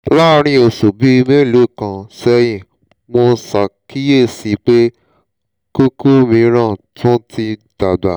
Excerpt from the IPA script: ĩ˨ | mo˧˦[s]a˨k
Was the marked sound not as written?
no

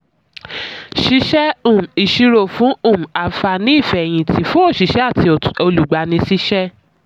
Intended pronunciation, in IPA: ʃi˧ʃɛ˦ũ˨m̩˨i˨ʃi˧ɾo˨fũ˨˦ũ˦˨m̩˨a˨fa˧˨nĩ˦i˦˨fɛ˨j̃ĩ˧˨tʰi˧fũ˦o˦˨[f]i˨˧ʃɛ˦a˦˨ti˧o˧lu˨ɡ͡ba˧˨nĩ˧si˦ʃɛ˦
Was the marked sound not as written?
yes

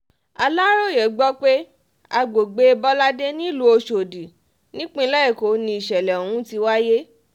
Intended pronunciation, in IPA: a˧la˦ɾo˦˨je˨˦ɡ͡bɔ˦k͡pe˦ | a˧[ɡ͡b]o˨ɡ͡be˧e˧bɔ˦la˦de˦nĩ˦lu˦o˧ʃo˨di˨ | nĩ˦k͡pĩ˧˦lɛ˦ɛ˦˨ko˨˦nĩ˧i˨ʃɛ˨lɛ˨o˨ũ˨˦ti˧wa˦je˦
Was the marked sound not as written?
no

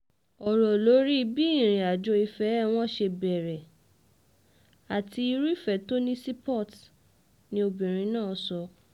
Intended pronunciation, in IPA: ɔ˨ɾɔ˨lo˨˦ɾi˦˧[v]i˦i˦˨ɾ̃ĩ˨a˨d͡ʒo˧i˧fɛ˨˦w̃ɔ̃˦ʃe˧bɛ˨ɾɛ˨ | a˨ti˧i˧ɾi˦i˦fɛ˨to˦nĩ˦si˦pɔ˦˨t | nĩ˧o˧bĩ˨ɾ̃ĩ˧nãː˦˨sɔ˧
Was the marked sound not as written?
yes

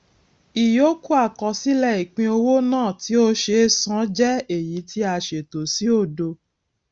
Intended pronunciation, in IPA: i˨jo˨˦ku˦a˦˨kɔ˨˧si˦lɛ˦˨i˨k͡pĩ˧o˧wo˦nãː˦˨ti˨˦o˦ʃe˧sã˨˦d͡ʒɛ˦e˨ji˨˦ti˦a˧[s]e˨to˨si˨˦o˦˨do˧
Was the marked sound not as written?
yes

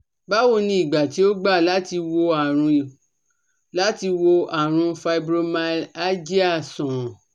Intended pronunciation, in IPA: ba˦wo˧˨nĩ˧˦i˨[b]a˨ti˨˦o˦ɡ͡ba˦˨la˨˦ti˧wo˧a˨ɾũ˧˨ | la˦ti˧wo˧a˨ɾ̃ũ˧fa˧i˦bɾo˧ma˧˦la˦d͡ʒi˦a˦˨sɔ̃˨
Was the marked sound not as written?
yes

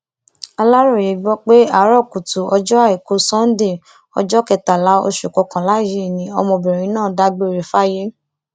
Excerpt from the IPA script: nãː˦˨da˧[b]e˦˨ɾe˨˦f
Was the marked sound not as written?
yes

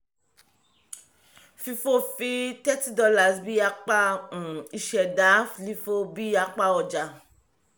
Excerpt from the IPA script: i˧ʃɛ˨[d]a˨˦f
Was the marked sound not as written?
no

